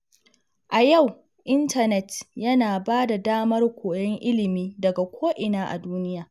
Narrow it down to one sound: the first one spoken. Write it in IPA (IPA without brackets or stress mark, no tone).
ʔ